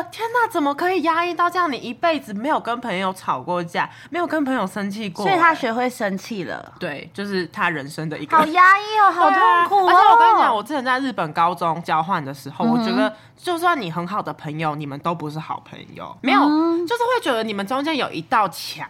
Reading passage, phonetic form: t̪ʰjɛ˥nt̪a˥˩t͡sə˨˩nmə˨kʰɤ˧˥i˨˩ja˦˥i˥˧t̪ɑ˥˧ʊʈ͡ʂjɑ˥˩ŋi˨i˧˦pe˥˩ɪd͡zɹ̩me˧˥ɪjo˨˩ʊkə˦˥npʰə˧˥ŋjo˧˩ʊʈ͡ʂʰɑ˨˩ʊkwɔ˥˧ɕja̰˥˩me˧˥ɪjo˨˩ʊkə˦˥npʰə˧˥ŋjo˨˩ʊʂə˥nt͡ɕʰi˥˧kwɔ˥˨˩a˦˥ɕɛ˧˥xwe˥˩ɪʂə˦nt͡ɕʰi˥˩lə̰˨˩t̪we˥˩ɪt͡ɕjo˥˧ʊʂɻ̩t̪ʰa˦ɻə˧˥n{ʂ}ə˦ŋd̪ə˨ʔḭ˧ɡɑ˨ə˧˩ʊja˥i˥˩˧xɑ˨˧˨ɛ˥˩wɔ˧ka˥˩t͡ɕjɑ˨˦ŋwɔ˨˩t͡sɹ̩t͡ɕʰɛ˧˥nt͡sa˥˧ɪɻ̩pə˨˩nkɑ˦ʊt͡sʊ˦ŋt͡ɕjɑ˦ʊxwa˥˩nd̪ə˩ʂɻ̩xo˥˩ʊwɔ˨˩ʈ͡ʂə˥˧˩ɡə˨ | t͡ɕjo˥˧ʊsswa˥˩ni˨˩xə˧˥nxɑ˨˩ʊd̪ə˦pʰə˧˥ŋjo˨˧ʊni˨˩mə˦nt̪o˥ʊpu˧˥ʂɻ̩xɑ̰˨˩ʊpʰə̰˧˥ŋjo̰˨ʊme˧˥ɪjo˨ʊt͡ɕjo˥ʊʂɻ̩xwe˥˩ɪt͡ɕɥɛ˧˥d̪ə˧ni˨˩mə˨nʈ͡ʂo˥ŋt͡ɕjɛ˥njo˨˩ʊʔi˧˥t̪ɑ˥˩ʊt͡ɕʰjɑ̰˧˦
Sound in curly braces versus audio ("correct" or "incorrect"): correct